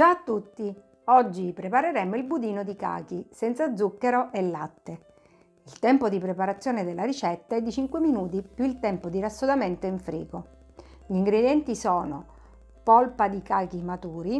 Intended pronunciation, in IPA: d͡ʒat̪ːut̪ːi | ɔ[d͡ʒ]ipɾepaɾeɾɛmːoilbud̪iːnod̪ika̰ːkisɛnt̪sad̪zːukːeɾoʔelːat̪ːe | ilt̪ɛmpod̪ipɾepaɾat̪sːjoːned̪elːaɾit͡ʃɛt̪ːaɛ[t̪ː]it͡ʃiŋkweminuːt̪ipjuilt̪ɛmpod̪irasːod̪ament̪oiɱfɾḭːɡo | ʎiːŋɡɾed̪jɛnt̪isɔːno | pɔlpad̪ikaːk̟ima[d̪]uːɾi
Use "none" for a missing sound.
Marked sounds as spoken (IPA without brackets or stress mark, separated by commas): d͡ʒː, d̪ː, t̪